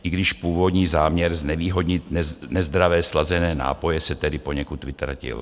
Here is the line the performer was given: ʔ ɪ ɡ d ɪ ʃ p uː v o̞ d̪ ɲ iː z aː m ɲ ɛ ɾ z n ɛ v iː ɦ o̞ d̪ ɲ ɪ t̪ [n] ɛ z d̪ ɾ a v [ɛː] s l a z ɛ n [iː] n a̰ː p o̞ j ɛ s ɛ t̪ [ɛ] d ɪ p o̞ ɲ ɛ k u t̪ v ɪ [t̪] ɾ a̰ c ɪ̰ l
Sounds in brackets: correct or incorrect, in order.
correct, correct, incorrect: ɛː, correct, correct

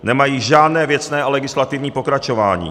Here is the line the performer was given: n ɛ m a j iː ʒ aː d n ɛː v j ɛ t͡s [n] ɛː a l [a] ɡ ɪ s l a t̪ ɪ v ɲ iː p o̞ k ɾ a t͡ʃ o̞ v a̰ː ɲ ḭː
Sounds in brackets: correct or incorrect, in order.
correct, incorrect: ɛ

